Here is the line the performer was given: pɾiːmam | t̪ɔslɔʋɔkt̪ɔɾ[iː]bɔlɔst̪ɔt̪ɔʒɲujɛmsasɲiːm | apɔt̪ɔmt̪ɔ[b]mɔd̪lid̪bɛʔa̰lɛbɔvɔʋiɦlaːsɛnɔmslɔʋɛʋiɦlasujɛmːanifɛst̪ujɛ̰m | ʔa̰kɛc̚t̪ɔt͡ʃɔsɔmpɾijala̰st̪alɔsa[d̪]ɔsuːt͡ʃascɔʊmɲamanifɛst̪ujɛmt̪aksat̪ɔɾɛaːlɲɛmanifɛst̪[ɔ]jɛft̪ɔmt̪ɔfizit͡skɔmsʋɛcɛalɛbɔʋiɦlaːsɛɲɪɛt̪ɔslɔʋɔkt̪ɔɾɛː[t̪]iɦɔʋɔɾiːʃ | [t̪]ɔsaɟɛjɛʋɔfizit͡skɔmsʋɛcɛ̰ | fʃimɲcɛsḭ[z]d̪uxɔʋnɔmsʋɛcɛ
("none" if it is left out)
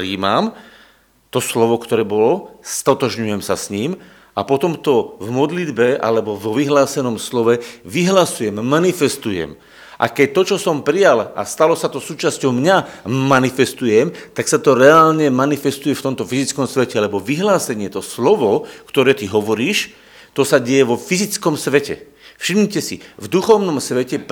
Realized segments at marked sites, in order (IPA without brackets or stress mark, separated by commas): ɛː, v, t̪, u, t̪, t̪, v